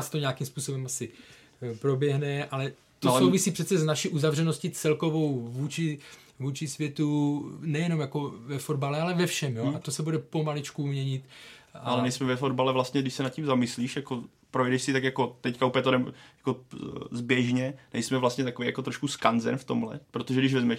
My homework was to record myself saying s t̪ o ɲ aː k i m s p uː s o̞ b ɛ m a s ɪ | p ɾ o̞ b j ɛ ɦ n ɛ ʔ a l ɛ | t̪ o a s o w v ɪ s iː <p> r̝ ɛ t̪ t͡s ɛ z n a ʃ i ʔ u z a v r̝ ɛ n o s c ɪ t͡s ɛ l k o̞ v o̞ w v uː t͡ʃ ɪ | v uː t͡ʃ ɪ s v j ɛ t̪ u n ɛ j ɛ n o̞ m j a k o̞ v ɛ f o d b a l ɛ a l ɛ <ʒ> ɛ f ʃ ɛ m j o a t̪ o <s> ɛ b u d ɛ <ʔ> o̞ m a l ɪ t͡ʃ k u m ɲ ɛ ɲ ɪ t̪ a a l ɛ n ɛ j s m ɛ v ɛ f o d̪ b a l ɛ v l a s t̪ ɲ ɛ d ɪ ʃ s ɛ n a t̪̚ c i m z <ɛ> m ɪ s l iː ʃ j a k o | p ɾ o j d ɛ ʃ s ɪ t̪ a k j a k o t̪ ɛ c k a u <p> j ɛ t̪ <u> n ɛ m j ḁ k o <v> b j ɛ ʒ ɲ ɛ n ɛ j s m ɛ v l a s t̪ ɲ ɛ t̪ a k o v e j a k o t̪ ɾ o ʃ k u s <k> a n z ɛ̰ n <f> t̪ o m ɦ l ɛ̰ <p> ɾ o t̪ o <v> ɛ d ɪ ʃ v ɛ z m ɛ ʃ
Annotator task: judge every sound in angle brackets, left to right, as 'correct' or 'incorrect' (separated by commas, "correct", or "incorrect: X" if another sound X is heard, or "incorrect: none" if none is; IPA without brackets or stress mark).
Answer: correct, incorrect: v, correct, incorrect: p, incorrect: a, correct, incorrect: o, incorrect: z, correct, correct, correct, incorrect: ʒ